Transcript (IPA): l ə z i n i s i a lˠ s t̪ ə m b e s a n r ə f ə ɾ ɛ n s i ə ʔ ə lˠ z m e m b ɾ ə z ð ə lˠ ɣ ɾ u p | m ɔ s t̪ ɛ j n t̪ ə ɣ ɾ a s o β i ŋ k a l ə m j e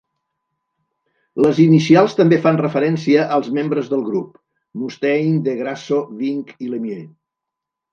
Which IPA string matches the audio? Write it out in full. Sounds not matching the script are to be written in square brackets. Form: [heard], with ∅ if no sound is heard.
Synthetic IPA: l ə z i n i s i a lˠ s t̪ ə m b e [f] a n r ə f ə ɾ ɛ n s i ə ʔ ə lˠ z m e m b ɾ ə z ð ə lˠ ɣ ɾ u p | m [u] s t̪ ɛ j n [d̪] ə ɣ ɾ a s o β i ŋ k [i] l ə m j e